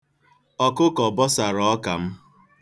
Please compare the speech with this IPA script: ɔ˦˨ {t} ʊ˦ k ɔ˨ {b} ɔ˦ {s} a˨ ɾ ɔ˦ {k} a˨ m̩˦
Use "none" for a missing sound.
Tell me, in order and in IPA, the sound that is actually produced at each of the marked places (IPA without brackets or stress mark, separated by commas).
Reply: k, b, s, k